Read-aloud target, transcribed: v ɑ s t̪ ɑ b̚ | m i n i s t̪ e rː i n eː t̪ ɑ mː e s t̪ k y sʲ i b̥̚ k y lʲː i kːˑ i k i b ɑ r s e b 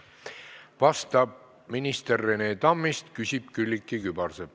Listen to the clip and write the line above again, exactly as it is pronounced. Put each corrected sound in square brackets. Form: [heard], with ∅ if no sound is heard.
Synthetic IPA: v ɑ s t̪ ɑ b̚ | m i n i s t̪ e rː [e] n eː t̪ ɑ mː [i] s t̪ k y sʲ i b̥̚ k y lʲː i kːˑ i k [y] b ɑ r s e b